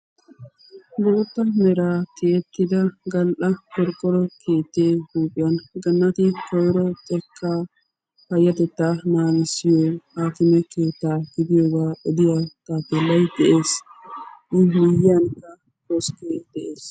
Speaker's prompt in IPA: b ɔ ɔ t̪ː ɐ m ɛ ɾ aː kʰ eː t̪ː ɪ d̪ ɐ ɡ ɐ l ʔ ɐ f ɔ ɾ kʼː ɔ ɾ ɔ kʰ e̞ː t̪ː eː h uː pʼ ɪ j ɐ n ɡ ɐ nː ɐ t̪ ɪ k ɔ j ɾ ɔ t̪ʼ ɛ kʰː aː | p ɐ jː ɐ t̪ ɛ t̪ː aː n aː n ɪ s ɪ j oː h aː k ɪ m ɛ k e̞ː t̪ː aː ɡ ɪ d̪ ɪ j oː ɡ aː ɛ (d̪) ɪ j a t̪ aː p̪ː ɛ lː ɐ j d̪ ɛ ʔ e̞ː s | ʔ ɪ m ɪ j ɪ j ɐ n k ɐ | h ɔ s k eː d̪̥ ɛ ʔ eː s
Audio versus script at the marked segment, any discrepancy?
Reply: no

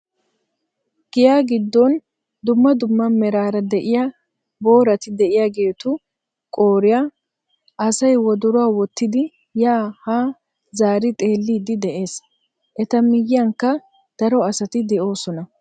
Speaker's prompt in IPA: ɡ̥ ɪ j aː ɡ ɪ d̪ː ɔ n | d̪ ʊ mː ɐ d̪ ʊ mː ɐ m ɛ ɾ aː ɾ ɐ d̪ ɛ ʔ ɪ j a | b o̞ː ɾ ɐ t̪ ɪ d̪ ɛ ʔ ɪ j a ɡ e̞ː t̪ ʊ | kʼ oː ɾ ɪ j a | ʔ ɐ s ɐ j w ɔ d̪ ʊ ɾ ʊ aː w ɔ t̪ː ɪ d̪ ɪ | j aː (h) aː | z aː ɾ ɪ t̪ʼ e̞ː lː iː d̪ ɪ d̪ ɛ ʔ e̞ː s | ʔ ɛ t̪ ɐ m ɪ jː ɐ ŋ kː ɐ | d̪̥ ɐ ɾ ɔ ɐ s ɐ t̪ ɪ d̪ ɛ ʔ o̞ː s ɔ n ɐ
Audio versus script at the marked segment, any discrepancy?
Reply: no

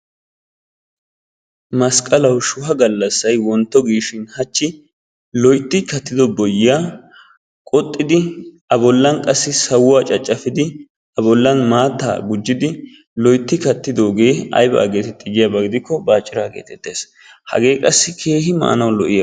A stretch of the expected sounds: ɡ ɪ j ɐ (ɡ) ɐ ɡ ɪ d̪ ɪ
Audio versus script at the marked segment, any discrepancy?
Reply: yes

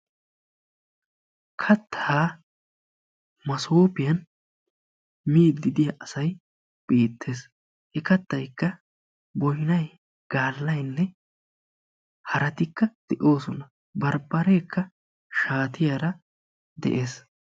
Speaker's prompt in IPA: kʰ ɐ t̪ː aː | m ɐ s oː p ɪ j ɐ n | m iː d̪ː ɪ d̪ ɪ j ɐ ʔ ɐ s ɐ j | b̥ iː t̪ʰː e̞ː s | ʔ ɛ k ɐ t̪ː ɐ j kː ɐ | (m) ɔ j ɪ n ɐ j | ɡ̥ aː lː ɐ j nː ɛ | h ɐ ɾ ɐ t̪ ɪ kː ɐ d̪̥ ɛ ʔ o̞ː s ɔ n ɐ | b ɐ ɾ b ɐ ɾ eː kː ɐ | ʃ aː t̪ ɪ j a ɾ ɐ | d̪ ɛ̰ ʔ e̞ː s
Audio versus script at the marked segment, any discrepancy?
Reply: yes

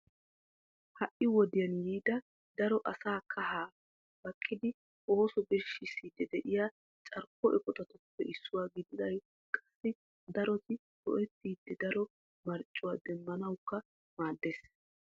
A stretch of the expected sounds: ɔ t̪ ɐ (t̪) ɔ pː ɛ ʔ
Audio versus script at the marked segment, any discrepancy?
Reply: no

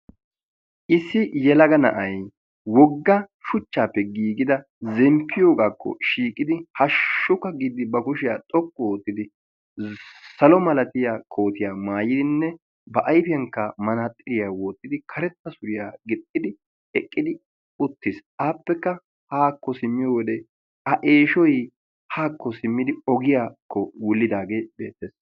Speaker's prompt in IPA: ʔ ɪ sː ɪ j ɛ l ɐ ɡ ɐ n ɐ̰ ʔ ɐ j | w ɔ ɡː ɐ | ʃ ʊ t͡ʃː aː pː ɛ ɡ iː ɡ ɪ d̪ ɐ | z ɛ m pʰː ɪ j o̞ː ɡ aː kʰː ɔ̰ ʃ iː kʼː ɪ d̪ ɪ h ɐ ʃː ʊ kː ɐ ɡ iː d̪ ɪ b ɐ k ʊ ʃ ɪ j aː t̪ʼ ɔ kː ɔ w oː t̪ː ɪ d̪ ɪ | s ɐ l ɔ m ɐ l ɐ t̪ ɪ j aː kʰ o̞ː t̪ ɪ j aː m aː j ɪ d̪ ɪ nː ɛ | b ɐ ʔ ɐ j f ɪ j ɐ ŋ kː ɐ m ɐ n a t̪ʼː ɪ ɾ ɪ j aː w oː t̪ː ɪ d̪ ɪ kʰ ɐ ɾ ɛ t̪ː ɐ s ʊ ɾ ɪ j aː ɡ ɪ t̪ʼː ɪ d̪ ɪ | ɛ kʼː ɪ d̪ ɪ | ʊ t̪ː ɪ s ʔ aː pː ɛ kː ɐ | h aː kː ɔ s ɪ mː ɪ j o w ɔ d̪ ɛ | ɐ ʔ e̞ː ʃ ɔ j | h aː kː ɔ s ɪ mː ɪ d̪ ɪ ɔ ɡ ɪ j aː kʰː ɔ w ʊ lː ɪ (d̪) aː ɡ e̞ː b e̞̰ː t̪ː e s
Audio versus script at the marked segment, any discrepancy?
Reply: no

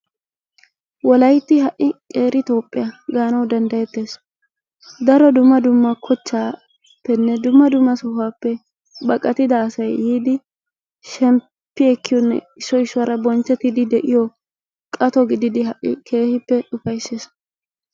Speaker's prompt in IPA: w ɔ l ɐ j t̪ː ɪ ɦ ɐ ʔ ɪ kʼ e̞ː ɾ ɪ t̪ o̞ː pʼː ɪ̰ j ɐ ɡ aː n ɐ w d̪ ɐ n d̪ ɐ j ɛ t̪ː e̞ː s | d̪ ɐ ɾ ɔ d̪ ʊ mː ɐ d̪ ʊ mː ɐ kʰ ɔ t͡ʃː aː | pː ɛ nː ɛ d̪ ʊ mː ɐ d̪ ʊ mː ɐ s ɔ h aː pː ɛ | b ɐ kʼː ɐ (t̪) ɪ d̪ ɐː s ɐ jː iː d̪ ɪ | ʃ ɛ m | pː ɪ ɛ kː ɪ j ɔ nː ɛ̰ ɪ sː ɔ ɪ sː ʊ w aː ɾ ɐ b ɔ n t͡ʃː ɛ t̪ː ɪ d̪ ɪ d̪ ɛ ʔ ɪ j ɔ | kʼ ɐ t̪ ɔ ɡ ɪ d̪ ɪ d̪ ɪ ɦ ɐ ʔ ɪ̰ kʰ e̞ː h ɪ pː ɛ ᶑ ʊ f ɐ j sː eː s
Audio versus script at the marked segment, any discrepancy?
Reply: no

